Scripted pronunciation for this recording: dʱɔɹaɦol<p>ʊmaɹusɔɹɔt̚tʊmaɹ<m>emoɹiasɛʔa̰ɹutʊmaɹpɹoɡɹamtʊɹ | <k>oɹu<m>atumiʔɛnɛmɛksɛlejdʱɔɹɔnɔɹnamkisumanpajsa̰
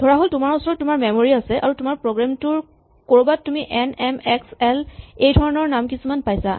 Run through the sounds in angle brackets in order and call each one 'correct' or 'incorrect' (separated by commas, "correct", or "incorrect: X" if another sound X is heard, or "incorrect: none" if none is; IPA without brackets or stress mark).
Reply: incorrect: t, correct, correct, incorrect: b